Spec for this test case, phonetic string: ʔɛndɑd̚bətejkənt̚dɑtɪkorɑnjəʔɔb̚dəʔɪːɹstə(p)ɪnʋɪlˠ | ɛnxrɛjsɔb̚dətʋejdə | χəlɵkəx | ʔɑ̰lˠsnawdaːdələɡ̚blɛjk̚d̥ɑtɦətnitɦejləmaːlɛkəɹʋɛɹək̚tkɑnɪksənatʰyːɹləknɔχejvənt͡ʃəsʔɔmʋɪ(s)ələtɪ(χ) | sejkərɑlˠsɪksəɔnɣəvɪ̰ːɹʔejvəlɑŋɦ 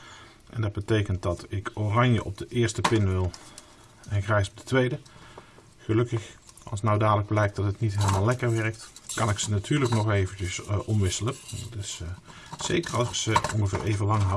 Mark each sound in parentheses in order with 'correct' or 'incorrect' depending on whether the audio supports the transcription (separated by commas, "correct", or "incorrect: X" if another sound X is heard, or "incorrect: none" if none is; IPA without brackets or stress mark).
correct, correct, incorrect: s